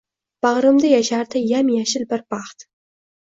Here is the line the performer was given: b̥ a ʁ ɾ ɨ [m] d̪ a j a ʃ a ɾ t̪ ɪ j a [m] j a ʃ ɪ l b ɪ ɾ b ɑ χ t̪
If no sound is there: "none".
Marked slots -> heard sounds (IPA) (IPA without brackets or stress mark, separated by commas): m, m